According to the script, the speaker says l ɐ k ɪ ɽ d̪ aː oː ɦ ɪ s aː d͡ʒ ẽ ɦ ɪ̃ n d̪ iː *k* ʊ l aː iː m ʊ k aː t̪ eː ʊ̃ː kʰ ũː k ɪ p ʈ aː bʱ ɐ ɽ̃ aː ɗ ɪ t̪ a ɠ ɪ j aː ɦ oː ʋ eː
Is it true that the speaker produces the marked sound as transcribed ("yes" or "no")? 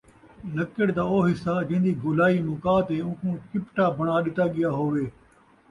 no